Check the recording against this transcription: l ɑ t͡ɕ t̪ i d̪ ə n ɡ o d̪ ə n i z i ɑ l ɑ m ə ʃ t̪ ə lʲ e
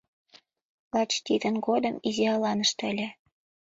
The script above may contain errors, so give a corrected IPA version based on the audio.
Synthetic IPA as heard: l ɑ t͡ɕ t̪ i d̪ ə n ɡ o d̪ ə m i z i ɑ l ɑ n ə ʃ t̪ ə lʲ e